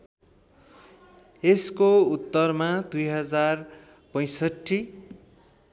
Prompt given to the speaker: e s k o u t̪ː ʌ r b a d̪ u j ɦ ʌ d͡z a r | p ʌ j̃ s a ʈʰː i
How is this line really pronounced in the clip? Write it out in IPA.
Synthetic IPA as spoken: e s k o u t̪ː ʌ r m a d̪ u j ɦ ʌ d͡z a r | p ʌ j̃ s ʌ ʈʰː i